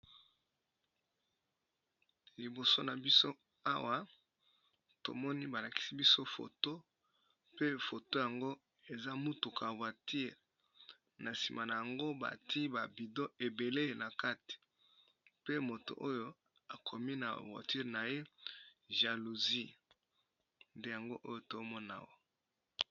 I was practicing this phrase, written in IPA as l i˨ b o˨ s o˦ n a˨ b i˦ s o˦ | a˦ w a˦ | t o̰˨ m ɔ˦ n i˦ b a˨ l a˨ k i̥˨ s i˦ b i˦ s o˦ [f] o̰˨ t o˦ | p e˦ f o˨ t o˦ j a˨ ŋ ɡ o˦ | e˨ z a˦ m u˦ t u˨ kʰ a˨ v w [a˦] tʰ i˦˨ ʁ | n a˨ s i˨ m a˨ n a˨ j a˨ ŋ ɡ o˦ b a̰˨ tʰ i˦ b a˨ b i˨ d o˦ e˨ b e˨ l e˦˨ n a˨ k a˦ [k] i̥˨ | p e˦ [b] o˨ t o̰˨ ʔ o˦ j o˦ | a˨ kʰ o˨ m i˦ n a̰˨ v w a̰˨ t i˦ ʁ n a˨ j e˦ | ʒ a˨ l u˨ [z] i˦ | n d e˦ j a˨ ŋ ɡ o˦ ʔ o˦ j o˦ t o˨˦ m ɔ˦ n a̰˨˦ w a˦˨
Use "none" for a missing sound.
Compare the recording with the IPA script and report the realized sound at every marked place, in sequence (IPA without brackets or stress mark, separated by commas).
f, a˨, t, m, z